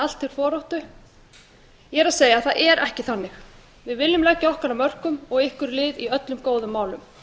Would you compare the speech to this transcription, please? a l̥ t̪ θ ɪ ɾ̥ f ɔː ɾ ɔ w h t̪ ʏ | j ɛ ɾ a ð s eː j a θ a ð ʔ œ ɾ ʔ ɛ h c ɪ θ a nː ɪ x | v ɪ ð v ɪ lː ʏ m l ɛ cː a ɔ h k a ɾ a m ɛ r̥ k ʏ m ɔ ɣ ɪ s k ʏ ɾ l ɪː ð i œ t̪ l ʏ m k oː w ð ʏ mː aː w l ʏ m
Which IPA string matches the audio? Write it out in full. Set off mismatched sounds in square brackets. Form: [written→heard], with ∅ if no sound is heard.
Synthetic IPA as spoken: a l̥ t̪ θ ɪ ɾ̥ f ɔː ɾ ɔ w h t̪ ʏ | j ɛ ɾ a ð s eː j a θ a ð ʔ [œ→ɛ] ɾ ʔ ɛ h c ɪ θ a nː ɪ x | v ɪ ð v ɪ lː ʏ m l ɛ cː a ɔ h k a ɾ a m [ɛ→œ] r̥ k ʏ m ɔ ɣ ɪ [s→h] k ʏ ɾ l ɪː ð i œ t̪ l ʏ m k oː w ð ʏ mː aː w l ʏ m